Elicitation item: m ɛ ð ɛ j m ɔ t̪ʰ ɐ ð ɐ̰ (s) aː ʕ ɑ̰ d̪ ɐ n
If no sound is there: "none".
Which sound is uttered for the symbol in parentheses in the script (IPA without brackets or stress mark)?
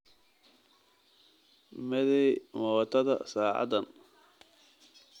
s